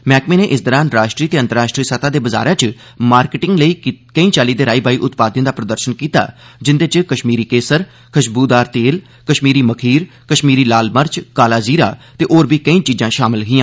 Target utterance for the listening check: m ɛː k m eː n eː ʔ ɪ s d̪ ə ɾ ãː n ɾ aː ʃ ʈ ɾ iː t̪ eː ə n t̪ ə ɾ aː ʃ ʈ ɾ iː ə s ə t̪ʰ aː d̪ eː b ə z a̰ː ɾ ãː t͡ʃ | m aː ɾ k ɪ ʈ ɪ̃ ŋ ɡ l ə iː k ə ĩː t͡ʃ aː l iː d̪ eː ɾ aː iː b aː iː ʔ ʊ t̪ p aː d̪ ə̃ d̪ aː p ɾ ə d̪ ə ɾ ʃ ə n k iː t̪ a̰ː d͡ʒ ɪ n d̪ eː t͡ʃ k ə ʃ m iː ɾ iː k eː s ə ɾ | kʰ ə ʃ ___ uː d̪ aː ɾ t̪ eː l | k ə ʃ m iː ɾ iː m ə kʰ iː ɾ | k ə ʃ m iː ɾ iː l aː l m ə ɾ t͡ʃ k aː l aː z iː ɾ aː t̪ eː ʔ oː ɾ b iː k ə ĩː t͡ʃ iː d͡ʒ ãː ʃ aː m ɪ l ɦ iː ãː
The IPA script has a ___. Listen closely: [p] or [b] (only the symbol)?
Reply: b